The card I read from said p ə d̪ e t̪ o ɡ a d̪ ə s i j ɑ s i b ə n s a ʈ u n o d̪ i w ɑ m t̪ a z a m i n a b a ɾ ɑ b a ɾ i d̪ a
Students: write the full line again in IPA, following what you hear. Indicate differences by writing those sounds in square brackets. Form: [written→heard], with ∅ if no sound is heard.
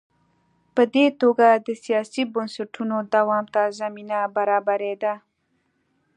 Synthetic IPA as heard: p ə d̪ e t̪ o ɡ a d̪ ə s i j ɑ s i b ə n s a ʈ u n o d̪ [i→a] w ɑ m t̪ a z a m i n a b a ɾ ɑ b a ɾ [i→e] d̪ a